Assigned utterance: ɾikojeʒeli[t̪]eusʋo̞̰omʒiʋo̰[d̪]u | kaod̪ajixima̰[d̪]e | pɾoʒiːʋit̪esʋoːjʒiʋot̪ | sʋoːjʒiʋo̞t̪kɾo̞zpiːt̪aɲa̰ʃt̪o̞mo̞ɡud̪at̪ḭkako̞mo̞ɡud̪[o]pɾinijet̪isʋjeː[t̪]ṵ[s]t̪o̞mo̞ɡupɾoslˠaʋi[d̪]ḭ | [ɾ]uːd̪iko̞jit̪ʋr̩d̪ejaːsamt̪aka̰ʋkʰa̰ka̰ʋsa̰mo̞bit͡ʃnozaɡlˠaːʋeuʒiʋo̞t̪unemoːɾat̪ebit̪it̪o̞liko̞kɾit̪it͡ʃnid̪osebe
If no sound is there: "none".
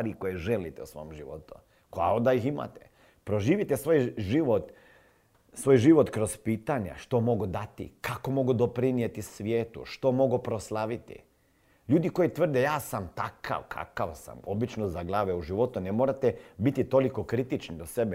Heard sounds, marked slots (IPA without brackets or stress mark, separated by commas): t̪, t̪, t̪, o, t̪, ʃ, t̪, ʎ